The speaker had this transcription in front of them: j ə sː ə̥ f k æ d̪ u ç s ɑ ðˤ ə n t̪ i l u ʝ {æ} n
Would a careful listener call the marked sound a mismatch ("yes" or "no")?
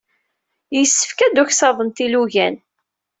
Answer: no